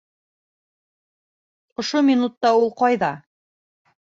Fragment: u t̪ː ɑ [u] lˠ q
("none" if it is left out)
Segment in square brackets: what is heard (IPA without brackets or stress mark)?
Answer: u